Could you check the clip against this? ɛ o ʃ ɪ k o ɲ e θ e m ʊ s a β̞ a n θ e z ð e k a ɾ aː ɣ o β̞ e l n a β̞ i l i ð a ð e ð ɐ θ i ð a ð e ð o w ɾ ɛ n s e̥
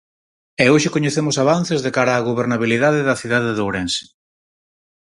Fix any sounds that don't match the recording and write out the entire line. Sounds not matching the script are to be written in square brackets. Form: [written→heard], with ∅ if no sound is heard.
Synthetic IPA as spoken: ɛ o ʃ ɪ k o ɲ e θ e m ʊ s a β̞ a n θ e z ð e k a ɾ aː ɣ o β̞ e [l→ɾ] n a β̞ i l i ð a ð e ð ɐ θ i ð a ð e ð o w ɾ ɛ n s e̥